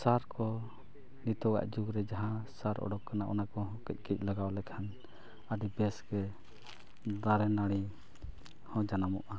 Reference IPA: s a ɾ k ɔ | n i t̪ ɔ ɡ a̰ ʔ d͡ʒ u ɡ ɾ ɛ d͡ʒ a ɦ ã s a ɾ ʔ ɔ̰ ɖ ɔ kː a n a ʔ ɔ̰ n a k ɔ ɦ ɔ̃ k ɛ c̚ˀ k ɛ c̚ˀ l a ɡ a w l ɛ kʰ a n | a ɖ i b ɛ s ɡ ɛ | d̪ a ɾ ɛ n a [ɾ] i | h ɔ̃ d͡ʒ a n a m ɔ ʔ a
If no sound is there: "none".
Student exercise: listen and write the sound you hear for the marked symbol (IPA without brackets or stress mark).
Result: ɽ